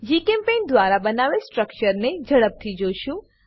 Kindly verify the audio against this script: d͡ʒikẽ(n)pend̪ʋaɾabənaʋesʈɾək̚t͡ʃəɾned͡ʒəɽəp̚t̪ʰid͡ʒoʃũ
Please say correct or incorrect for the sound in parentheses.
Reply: incorrect